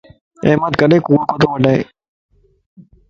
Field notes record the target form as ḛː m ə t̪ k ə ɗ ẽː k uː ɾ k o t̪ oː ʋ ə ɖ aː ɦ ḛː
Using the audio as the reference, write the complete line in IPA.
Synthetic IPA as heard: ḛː m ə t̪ k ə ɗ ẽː k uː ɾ k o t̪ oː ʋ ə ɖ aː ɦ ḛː